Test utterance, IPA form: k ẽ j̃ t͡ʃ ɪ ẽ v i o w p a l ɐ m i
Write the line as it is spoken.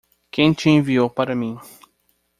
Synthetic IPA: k ẽ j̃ t͡ʃ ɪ ẽ v i o w p a ɾ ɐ m ĩ